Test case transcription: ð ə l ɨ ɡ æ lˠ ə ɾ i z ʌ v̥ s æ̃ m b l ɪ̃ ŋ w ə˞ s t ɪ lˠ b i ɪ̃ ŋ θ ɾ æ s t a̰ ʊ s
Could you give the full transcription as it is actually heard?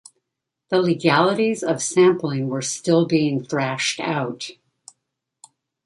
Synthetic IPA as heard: ð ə l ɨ ɡ æ lˠ ə ɾ i z ʌ v̥ s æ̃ m p l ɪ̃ ŋ w ə˞ s t ɪ lˠ b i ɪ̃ ŋ θ ɹ æ ʃ t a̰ ʊ t